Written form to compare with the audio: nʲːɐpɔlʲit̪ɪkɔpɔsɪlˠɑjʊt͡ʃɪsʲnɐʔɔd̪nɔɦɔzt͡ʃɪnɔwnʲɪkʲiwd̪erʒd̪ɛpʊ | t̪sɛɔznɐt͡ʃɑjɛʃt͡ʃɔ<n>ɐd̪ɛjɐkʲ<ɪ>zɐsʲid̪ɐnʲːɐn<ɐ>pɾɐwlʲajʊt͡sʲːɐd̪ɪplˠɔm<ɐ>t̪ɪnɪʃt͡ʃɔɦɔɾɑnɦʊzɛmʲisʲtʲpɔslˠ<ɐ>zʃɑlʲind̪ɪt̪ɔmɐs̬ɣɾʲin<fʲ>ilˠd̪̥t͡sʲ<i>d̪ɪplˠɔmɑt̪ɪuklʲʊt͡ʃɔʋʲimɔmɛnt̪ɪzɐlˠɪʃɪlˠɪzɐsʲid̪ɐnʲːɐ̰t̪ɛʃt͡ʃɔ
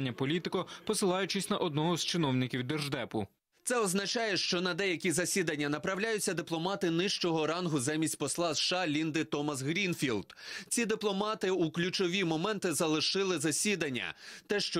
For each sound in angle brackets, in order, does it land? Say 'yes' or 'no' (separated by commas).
yes, no, yes, no, no, yes, yes